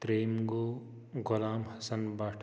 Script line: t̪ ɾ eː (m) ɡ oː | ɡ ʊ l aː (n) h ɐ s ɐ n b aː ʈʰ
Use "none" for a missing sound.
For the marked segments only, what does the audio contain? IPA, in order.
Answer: m, m

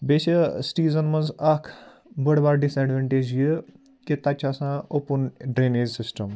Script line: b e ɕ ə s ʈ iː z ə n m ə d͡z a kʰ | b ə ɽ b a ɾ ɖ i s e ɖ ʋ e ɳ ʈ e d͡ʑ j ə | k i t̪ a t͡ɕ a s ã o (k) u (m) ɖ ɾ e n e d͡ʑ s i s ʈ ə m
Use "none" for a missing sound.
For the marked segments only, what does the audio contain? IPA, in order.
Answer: p, n

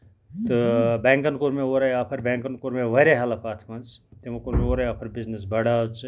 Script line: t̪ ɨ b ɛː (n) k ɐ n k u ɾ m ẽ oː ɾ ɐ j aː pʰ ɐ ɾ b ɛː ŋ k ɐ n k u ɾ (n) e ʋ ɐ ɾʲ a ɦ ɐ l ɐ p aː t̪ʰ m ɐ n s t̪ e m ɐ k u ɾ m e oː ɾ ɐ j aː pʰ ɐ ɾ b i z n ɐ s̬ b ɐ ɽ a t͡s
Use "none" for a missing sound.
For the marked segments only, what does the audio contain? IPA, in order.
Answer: ŋ, m

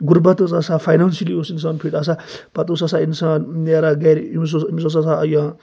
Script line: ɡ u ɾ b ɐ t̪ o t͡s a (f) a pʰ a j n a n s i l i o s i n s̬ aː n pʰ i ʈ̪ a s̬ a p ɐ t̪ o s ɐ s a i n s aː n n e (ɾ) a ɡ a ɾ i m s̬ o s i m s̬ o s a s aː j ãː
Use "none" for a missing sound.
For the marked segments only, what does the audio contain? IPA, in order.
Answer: s, ɾ

